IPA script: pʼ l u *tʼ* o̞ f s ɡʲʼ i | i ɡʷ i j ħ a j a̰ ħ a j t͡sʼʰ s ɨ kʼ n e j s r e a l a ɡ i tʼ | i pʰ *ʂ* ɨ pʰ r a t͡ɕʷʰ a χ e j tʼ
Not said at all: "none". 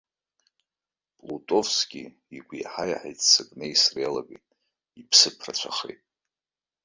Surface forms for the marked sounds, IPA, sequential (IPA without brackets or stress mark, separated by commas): tʼ, s